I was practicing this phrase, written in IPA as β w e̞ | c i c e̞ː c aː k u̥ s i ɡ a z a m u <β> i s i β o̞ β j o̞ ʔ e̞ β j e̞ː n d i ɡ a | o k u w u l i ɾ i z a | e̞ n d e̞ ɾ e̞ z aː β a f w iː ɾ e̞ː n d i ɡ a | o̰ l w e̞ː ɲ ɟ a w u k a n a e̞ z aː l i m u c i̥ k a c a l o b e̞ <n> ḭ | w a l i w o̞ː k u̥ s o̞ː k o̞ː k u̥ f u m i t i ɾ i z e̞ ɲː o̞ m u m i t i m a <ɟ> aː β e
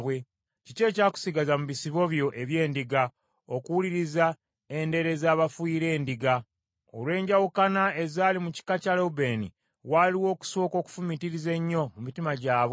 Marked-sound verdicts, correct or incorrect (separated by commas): correct, correct, correct